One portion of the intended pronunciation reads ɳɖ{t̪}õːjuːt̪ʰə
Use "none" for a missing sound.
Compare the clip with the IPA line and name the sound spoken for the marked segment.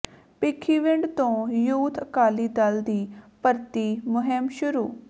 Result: t̪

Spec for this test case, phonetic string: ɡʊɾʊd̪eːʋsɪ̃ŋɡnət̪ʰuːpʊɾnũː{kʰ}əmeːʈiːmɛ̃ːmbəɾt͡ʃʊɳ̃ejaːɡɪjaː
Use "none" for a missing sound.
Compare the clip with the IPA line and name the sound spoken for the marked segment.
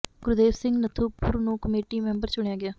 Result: k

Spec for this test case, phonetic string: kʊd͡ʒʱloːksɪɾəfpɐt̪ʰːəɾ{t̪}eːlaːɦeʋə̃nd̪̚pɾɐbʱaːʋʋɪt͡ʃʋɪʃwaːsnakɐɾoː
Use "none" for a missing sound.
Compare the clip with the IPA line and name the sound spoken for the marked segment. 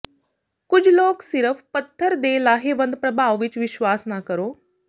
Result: d̪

